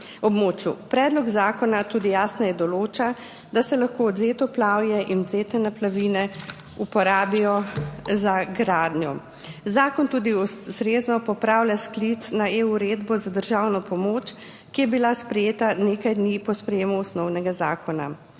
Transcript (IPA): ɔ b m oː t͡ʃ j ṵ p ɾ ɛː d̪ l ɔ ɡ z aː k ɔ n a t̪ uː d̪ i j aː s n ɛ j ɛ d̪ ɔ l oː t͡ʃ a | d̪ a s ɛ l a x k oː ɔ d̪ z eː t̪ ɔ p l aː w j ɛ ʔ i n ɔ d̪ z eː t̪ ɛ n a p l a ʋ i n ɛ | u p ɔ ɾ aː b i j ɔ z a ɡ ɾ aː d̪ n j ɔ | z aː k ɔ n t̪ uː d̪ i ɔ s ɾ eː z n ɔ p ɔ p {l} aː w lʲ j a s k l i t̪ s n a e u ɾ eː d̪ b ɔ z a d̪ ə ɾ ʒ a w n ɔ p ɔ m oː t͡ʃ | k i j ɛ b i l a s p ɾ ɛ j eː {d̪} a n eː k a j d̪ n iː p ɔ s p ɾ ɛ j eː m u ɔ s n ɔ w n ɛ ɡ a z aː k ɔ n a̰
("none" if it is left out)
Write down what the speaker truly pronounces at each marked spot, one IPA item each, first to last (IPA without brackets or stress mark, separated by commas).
ɾ, t̪